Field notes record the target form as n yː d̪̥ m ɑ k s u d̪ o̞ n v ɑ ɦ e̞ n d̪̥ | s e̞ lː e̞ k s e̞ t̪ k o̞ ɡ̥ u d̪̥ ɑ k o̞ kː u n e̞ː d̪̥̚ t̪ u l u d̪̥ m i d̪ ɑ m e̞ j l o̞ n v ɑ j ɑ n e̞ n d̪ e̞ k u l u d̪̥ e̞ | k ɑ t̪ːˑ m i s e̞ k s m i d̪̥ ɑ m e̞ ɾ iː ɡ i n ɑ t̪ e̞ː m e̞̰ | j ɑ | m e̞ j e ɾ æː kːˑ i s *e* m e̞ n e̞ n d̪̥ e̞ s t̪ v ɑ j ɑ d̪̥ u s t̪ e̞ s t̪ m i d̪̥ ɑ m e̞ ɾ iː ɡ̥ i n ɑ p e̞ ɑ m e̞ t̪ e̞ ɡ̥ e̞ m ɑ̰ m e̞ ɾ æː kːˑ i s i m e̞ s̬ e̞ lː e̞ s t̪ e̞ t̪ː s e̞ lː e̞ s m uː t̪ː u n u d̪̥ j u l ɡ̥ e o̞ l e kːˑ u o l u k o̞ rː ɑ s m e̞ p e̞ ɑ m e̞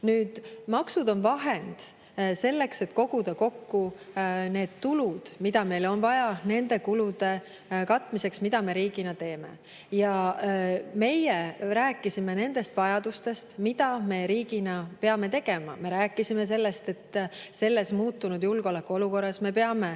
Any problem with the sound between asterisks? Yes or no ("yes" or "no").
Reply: yes